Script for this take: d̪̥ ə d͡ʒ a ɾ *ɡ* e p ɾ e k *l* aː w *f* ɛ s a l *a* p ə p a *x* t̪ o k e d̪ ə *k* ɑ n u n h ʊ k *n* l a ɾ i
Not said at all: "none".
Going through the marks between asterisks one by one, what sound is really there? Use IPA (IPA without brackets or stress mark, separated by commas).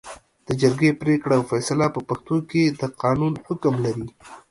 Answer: ɡ, ɽ, f, a, x, q, m